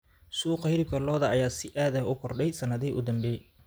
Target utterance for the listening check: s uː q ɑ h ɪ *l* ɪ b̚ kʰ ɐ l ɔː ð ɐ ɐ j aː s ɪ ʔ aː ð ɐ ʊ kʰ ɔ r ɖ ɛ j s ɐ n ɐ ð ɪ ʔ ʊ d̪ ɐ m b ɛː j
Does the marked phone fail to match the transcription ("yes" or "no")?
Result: yes